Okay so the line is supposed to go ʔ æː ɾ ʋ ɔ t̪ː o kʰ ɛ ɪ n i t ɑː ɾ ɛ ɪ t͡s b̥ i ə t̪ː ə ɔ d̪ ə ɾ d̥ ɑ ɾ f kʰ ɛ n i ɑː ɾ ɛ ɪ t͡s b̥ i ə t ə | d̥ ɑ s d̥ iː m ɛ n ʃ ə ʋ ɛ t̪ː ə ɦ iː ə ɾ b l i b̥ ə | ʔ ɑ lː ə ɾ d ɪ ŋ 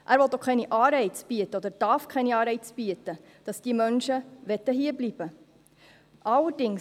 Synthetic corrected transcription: ʔ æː ɾ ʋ ɔ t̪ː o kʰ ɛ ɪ n i ʔ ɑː ɾ ɛ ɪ t͡s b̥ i ə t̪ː ə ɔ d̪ ə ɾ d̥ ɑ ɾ f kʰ ɛ n i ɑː ɾ ɛ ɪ t͡s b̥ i ə t ə | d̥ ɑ s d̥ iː m œ n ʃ ə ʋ ɛ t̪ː ə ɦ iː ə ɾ b l i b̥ ə | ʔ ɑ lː ə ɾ d ɪ ŋ